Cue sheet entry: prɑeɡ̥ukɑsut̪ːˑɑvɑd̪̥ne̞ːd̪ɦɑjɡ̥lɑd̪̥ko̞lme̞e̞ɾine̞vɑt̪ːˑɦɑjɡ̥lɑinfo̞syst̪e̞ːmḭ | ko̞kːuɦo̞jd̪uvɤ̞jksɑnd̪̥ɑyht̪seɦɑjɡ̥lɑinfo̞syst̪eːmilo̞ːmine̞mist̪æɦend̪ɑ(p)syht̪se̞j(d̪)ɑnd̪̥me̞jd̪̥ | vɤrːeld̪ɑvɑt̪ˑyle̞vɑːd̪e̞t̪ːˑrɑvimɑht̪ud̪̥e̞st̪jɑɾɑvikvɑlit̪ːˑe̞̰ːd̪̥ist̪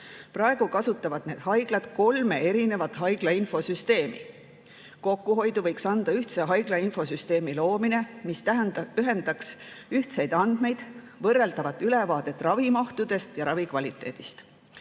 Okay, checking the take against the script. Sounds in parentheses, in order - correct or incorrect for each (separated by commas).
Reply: incorrect, correct